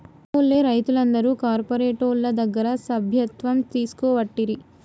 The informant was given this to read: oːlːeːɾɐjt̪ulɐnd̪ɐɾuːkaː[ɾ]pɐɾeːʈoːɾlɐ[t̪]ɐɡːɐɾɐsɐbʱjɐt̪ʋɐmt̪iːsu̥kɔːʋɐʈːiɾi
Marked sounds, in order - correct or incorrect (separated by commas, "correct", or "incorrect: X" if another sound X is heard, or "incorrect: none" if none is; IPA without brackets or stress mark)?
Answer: correct, incorrect: d̪